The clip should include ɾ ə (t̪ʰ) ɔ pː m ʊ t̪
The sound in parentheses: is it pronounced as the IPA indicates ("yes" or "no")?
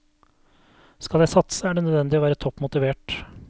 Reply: yes